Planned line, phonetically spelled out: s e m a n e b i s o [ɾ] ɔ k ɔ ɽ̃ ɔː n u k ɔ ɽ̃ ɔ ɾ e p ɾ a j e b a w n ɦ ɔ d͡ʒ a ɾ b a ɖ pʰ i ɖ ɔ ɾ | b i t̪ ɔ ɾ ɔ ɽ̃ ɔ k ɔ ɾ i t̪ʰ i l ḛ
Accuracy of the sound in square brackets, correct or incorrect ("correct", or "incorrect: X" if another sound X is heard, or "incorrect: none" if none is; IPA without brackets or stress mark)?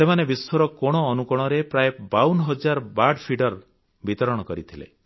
correct